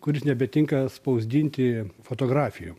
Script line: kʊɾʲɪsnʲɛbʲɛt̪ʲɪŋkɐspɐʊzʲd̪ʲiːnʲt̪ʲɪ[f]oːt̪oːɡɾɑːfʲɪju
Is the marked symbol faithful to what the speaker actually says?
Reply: yes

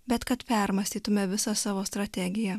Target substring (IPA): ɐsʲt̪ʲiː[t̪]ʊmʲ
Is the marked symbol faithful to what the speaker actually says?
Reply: yes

